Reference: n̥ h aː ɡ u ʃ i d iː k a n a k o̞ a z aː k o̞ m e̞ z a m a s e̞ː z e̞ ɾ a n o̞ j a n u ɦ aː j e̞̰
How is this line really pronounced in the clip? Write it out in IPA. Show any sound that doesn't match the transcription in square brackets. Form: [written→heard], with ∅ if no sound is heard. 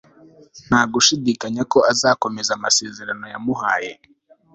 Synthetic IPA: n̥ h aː ɡ u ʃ i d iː k a [n→ɲ] a k o̞ a z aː k o̞ m e̞ z a m a s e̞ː z e̞ ɾ a n o̞ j a [n→m] u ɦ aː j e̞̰

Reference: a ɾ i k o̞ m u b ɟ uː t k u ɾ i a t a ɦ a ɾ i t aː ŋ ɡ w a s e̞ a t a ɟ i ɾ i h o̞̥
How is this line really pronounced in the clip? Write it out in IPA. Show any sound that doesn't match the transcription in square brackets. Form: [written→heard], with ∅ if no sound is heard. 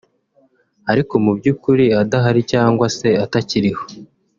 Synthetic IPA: a ɾ i k o̞ m u b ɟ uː [t→∅] k u ɾ i a [t→d] a ɦ a ɾ i [t→c] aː ŋ ɡ w a s e̞ a t a [ɟ→c] i ɾ i h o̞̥

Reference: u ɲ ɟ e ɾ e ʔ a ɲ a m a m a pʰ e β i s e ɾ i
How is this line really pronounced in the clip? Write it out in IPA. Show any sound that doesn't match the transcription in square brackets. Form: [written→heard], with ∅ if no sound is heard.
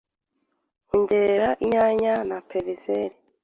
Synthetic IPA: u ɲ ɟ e ɾ [e→a] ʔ [a→i] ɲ a [m→ɲ] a [m→n] a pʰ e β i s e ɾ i

